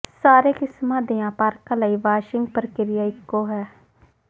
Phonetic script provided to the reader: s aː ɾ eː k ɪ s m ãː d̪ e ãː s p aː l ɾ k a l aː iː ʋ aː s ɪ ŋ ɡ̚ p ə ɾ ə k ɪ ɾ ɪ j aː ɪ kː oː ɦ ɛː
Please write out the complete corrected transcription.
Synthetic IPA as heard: s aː ɾ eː k ɪ s m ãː d̪ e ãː p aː ɾ k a l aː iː ʋ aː ʃ ɪ ŋ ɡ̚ p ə ɾ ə k ɪ ɾ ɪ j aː ɪ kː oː ɦ ɛː